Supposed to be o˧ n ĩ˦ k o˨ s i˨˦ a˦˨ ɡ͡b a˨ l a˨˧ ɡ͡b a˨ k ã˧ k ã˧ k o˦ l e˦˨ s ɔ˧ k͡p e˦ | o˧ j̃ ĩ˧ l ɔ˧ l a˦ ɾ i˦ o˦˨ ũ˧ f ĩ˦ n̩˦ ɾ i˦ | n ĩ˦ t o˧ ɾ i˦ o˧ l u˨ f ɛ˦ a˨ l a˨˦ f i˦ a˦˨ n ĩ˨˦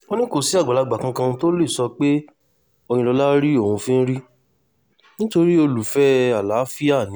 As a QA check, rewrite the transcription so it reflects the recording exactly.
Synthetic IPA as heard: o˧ n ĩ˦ k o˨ s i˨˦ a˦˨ ɡ͡b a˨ l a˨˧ ɡ͡b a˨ k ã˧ k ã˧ t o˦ l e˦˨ s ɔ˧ k͡p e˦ | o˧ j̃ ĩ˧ l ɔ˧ l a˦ ɾ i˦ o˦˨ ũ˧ f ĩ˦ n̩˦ ɾ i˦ | n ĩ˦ t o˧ ɾ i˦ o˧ l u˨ f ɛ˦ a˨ l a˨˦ f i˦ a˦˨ n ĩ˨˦